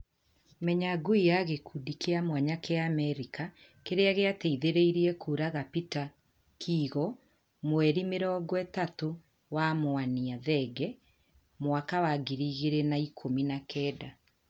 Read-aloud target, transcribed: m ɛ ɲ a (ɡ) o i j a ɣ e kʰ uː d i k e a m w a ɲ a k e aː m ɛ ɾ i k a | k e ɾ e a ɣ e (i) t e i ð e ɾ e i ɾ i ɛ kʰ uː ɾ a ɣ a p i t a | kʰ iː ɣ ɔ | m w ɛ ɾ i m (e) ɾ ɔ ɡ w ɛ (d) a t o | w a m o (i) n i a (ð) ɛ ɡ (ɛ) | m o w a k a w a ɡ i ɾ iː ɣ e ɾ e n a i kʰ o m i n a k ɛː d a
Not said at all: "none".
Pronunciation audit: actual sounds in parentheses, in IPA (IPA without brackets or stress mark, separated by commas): ɡ, a, e, t, a, ð, ɛ